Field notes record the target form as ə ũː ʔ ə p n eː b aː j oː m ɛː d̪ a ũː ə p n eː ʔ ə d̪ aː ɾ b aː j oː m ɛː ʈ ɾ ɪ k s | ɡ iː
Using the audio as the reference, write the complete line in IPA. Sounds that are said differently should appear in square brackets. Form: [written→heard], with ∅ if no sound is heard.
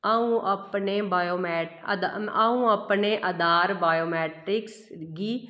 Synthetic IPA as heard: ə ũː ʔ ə p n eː b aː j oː m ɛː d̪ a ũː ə p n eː ʔ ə d̪ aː ɾ b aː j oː m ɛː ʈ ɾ ɪ k s | ɡ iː